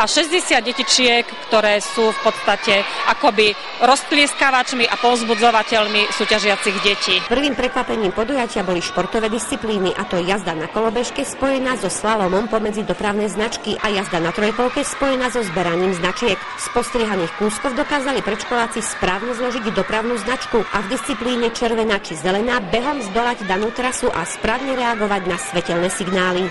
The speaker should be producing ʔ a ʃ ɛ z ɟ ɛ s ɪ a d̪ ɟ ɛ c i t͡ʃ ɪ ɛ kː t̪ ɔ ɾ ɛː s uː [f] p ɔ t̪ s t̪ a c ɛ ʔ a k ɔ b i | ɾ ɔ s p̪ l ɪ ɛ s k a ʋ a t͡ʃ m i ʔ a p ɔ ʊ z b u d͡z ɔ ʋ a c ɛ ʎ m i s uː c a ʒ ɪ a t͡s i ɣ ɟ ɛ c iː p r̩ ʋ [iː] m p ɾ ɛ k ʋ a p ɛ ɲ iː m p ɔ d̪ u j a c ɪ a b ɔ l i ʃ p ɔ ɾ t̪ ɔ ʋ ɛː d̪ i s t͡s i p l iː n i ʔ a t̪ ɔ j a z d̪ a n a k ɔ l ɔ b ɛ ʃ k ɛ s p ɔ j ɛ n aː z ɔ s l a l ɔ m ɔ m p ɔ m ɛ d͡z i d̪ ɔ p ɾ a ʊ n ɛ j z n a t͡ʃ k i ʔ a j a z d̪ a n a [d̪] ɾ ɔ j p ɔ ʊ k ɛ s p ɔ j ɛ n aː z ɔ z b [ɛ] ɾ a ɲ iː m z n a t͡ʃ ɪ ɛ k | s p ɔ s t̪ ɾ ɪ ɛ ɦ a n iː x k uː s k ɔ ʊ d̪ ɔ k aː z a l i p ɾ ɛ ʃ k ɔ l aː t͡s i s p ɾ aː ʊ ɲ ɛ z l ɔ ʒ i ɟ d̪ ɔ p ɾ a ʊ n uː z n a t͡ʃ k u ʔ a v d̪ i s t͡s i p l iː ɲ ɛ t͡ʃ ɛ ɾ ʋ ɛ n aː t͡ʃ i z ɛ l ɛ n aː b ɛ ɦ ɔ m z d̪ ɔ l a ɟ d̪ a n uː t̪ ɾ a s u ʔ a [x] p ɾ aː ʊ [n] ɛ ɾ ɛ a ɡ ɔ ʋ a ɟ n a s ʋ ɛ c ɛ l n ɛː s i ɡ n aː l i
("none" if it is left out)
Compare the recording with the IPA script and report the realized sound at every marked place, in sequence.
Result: f, iː, t̪, ɛ, s, ɲ

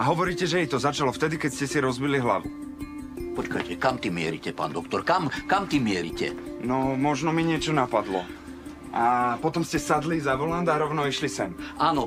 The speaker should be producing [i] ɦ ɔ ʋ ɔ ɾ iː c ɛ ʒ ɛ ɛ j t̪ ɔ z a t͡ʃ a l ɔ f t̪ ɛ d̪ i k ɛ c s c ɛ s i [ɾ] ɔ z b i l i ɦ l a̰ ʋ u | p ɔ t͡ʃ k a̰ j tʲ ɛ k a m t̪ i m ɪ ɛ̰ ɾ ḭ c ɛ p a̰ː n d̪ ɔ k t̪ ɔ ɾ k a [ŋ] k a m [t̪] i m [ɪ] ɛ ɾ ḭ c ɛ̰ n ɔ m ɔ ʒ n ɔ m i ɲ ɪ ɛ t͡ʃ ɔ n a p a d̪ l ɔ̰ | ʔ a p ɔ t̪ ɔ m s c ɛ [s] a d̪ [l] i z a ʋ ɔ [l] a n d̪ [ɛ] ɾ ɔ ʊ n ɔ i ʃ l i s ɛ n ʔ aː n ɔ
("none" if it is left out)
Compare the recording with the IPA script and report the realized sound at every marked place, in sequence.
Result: a, ɾ, m, t̪, ɪ, s, l, l, a

